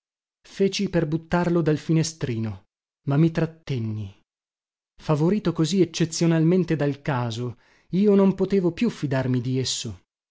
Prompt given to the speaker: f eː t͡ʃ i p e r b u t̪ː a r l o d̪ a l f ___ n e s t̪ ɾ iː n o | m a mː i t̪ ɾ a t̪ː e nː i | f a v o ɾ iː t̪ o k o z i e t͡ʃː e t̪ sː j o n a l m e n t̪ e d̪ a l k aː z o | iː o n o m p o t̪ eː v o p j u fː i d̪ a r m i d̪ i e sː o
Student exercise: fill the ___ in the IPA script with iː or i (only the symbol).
i